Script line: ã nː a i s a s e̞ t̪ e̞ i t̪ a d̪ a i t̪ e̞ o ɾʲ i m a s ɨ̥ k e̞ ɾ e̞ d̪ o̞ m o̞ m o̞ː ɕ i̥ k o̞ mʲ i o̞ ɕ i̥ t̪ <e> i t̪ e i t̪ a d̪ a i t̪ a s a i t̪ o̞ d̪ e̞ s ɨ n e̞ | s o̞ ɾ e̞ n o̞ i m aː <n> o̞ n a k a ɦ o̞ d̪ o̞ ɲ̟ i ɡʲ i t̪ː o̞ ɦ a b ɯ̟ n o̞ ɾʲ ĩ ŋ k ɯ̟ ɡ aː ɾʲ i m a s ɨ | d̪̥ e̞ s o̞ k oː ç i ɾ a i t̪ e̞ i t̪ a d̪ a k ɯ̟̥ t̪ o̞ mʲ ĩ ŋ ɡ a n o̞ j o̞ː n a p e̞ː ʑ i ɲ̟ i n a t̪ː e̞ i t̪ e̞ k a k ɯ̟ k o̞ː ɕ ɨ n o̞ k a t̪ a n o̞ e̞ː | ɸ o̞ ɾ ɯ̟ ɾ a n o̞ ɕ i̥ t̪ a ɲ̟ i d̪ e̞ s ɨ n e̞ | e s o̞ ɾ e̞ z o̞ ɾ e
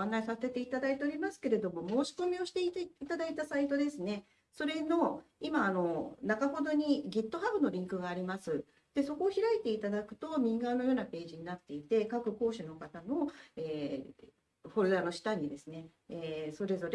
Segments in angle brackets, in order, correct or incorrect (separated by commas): correct, correct